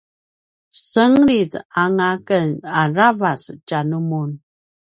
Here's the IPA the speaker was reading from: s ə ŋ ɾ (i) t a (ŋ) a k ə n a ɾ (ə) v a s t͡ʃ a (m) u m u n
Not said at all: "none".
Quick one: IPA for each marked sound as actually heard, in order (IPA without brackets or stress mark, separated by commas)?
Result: i, ŋ, a, n